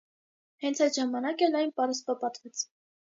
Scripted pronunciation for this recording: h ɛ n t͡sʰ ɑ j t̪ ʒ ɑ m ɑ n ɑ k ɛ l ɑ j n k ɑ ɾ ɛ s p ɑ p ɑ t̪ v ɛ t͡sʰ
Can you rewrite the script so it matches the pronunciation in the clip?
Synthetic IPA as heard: h ɛ n t͡sʰ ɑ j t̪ ʒ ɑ m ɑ n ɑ k ɛ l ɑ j n p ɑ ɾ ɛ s p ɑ p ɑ t̪ v ɛ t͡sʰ

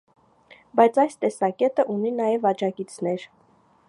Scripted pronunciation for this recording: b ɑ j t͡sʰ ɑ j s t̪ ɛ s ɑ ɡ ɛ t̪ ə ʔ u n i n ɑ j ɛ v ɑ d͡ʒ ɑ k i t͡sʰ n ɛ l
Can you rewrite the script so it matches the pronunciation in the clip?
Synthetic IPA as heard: b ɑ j t͡sʰ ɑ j s t̪ ɛ s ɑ k ɛ t̪ ə ʔ u n i n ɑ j ɛ v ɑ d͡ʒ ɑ k i t͡sʰ n ɛ ɾ

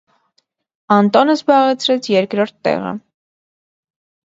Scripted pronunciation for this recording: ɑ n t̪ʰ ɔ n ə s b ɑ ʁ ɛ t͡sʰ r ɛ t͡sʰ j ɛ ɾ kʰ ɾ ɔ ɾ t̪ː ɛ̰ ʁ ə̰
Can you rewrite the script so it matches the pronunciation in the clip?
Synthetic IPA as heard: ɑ n t̪ ɔ n ə z b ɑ ʁ ɛ t͡sʰ ɾ ɛ t͡sʰ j ɛ ɾ k ɾ ɔ ɾ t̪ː ɛ̰ ʁ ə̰

